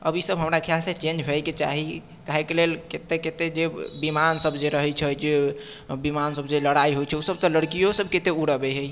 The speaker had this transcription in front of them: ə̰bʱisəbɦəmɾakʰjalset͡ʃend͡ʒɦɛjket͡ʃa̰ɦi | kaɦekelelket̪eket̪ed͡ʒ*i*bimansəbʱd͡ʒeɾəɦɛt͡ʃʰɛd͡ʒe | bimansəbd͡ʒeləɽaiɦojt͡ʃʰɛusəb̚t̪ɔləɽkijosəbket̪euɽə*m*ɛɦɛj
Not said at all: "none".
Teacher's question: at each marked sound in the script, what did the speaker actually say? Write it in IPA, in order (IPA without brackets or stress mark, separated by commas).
e, b